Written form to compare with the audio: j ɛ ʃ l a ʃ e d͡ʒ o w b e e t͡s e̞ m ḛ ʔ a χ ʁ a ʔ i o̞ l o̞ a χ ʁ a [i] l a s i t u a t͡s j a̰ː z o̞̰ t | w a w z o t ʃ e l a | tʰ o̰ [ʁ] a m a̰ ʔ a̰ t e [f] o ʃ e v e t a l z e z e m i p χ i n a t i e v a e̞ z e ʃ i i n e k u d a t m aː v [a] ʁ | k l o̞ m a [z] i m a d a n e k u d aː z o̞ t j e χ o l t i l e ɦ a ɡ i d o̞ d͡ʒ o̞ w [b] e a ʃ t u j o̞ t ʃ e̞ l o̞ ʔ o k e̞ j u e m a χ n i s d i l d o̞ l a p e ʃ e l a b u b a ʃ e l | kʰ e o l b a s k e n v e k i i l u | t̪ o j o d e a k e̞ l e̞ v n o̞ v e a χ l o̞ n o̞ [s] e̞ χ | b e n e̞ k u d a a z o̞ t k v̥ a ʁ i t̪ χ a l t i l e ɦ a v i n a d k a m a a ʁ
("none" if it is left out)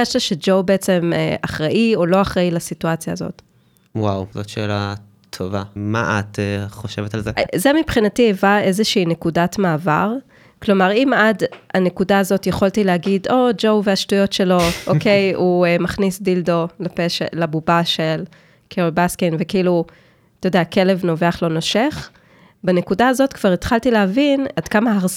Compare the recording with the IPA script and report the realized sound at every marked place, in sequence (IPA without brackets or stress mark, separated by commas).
i, v, χ, a, ʁ, v, ʃ